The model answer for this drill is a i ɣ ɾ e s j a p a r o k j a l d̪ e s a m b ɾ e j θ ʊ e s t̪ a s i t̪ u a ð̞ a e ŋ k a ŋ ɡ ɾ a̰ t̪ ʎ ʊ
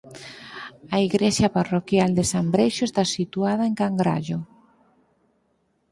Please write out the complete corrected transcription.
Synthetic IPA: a i ɣ ɾ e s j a p a r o k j a l d̪ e s a m b ɾ e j ʃ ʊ e s t̪ a s i t̪ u a ð̞ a e ŋ k a ŋ ɡ ɾ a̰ ʎ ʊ